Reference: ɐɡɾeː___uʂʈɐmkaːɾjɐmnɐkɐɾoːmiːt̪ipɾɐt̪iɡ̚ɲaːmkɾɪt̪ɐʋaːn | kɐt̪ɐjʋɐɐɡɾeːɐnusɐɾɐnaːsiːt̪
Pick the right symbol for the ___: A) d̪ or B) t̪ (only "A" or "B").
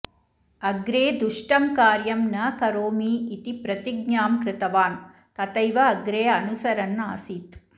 A